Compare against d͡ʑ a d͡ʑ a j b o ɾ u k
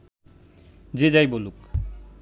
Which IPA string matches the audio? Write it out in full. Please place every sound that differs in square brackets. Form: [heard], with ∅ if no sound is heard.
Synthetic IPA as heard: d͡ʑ [e] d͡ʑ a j b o [l] u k